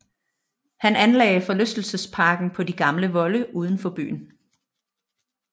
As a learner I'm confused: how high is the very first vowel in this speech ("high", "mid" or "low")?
low